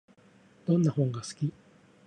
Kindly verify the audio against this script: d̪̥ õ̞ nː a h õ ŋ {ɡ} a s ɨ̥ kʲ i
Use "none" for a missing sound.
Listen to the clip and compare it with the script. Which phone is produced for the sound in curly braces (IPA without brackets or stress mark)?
ɡ